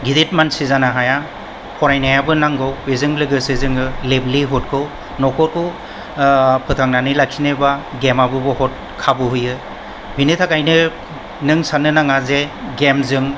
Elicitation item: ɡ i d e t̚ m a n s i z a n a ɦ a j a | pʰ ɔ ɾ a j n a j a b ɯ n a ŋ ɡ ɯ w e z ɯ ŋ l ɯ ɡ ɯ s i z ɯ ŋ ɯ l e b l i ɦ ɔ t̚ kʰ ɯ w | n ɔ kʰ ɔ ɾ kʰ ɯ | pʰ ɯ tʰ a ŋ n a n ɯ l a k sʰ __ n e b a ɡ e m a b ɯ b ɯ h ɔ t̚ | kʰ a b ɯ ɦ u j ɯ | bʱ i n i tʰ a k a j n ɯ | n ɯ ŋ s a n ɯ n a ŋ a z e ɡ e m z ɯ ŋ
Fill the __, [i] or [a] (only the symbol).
i